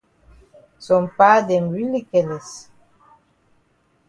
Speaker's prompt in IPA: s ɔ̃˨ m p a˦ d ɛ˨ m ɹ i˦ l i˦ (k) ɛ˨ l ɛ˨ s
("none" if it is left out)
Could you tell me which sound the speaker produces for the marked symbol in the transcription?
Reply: k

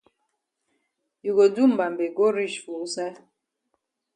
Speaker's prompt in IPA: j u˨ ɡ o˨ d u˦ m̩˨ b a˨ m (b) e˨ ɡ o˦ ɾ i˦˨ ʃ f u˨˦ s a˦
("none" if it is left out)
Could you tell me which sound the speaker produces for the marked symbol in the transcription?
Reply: b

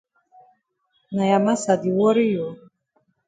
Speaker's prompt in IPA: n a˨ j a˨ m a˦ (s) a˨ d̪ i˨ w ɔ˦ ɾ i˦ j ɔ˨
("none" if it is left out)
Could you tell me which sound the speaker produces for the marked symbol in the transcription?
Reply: s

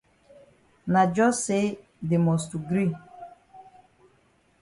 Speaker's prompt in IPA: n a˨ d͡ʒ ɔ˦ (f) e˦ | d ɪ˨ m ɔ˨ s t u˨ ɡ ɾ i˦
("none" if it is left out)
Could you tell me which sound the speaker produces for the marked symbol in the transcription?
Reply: s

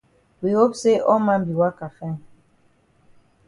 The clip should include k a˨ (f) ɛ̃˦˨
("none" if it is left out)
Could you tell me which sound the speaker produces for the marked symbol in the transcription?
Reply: f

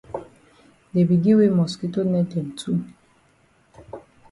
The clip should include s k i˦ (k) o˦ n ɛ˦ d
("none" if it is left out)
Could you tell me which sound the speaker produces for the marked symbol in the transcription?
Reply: t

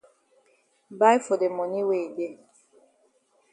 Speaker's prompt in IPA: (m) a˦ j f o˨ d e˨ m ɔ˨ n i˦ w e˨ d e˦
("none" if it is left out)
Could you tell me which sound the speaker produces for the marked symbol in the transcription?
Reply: b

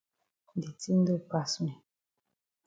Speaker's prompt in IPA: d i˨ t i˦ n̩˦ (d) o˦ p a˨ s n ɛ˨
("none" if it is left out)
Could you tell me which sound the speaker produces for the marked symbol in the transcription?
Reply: d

